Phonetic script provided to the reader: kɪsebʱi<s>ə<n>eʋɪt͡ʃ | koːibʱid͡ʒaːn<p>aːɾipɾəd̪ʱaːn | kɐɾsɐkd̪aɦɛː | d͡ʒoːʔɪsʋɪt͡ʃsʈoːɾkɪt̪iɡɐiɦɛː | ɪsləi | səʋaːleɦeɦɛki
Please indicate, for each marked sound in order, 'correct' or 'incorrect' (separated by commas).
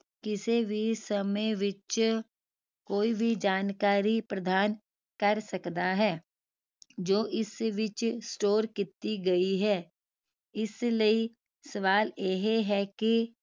correct, incorrect, incorrect